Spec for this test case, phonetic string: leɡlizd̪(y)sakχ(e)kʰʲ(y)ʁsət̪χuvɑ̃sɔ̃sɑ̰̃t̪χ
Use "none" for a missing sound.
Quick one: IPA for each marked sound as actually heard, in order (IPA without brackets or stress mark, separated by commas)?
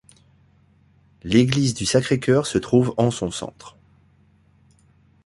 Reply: y, e, œ